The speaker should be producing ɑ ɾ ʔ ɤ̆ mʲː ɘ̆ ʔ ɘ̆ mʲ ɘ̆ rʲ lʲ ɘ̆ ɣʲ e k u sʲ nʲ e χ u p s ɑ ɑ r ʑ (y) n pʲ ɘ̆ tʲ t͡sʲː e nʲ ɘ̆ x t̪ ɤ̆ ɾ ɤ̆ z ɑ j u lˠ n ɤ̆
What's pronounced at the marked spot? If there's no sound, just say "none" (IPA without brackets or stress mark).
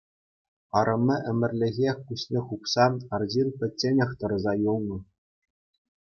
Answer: i